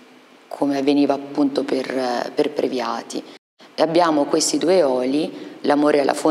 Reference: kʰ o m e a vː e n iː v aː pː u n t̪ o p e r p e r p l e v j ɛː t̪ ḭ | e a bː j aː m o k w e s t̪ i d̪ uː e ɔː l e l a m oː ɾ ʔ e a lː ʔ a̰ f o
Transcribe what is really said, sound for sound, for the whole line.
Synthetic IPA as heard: kʰ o m e a vː e n iː v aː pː u n t̪ o p e r p e r p ɾ e v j aː t̪ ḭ | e a bː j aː m o k w e s t̪ i d̪ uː e ɔː l i l a m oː ɾ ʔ e a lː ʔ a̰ f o